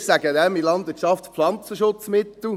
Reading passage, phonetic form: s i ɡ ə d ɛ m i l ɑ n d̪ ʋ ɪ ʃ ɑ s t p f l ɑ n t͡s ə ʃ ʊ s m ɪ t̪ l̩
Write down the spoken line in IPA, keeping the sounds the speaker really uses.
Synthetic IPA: s æ ɡ ə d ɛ m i l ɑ n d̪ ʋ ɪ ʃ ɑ f t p f l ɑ n t͡s ə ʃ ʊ t͡s m ɪ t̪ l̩